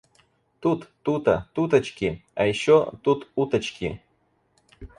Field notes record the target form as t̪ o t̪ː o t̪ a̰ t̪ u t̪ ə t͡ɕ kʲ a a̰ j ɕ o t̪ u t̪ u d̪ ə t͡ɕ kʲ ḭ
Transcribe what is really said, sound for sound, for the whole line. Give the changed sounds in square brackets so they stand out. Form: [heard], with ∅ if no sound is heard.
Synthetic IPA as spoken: t̪ [u] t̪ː [u] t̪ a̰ t̪ u t̪ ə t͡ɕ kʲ [i] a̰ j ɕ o t̪ u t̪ u [t̪] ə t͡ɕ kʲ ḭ